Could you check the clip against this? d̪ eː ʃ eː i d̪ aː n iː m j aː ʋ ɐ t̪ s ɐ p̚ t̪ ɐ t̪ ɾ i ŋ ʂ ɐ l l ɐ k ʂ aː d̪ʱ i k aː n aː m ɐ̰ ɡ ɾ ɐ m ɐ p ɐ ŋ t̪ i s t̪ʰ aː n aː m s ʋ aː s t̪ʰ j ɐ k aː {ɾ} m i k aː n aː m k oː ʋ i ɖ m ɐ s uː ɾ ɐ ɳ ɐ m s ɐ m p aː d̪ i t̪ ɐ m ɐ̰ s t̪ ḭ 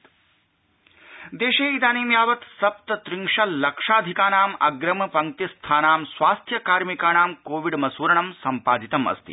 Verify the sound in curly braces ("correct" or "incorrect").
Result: correct